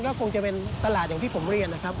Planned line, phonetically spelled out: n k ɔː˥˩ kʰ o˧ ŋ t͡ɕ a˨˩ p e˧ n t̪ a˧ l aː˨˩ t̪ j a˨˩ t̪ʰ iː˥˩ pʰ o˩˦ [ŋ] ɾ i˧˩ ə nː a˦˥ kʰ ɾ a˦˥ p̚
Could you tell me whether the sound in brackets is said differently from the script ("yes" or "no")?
yes